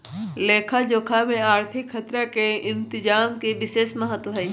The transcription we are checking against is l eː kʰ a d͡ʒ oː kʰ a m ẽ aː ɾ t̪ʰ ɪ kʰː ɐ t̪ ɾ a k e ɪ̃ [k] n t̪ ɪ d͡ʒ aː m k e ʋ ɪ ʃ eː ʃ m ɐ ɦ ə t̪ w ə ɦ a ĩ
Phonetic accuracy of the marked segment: incorrect: none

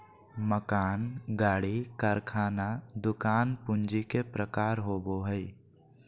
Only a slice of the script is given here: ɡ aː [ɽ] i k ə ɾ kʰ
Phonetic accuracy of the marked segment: correct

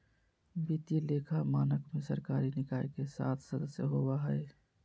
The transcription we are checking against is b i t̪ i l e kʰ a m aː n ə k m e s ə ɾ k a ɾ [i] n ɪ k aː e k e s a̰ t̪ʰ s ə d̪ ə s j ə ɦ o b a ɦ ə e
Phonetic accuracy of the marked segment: correct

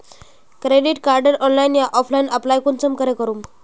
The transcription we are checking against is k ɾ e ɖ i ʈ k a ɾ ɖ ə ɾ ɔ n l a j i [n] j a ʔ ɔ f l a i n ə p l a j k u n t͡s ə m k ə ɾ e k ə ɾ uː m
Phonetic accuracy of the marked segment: correct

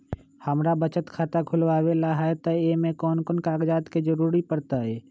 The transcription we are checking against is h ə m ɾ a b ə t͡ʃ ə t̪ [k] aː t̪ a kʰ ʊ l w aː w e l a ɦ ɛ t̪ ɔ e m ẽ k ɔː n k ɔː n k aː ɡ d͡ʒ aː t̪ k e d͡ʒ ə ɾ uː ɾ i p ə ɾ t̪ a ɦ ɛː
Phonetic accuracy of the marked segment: incorrect: kʰ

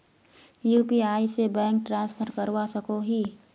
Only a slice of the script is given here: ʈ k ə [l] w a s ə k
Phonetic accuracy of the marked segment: incorrect: ɾ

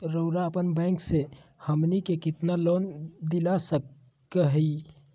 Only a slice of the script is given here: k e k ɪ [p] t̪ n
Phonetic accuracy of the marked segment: incorrect: none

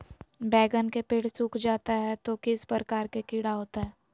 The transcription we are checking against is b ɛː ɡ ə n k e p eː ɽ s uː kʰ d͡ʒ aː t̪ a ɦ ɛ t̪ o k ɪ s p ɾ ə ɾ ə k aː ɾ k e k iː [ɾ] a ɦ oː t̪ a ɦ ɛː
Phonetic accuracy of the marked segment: incorrect: ɽ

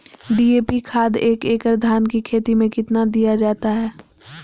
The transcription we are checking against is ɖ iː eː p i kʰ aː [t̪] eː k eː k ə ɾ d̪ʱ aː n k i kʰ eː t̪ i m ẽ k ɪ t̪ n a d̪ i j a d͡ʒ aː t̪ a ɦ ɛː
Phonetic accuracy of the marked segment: incorrect: d̪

